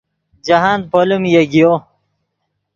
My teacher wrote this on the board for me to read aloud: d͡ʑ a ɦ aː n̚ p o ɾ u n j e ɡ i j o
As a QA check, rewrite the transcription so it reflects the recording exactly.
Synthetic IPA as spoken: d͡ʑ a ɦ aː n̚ p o l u m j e ɡ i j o